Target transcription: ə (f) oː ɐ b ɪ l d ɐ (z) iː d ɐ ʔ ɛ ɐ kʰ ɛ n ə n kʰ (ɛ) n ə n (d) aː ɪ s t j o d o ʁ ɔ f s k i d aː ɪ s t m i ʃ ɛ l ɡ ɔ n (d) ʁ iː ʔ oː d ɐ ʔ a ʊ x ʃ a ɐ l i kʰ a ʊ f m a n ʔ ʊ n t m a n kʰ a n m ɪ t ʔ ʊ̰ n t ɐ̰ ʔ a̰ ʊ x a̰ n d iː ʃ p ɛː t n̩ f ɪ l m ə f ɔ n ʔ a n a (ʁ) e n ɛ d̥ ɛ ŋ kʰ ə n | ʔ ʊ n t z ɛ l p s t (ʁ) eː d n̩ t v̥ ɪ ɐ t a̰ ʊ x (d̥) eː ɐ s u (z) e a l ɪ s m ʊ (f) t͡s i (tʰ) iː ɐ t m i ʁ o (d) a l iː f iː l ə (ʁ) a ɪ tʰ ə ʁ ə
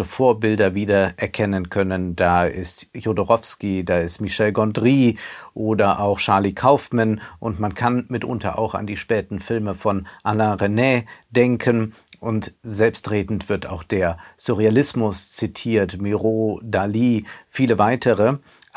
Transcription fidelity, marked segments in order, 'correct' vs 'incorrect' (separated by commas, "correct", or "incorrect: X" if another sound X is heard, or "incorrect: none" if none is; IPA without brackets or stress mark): correct, incorrect: v, incorrect: œ, correct, correct, correct, correct, correct, incorrect: ʁ, incorrect: s, correct, correct, incorrect: v